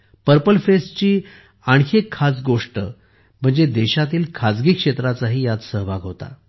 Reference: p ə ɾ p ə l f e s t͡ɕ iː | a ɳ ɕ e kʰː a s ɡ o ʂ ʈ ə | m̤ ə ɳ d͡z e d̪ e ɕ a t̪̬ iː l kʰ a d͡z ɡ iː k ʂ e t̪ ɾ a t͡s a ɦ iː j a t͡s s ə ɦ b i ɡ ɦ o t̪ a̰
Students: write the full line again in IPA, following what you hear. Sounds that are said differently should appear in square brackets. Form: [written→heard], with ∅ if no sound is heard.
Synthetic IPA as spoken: p ə ɾ p ə l f e s t͡ɕ iː | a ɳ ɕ e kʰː a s ɡ o ʂ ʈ ə | m̤ ə ɳ d͡z e d̪ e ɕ a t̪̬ iː l kʰ a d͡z ɡ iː k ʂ e t̪ ɾ a t͡s a ɦ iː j a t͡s s ə ɦ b [i→a] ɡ ɦ o t̪ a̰

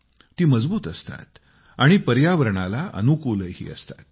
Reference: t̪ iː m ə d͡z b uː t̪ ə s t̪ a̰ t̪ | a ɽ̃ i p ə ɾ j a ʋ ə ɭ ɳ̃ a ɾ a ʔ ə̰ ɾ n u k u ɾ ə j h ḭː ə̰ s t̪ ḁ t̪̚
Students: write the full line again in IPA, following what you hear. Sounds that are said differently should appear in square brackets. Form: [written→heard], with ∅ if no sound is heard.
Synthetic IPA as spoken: t̪ iː m ə d͡z b uː t̪ ə s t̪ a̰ t̪ | a ɽ̃ i p ə ɾ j a ʋ ə [ɭ→ɾ] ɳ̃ a [ɾ→l] a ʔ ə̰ [ɾ→∅] n u k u [ɾ→l] ə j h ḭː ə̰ s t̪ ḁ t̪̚

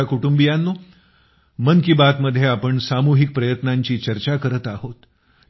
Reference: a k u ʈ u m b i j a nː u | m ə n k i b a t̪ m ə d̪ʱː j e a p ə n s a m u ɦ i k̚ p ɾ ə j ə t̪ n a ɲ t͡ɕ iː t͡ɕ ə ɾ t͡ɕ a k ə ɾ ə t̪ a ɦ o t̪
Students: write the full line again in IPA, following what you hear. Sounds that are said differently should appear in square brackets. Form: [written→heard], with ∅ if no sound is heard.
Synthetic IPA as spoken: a k u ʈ u m b i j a nː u | m ə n k i b a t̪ m ə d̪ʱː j e a p ə [n→ɳ] s a m u ɦ i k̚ p ɾ ə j ə t̪ n a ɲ t͡ɕ iː t͡ɕ ə ɾ t͡ɕ a k ə ɾ ə t̪ a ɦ o t̪

